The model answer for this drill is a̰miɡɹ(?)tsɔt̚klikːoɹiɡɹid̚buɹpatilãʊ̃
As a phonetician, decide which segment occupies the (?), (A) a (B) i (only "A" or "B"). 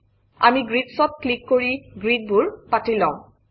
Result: B